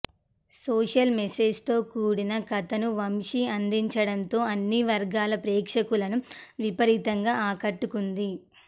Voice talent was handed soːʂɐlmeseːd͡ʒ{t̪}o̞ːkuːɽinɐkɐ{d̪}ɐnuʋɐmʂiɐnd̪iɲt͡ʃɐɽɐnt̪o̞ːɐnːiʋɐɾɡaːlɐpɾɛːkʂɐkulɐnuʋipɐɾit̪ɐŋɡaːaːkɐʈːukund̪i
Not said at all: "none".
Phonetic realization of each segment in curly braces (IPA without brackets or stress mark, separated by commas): t̪, t̪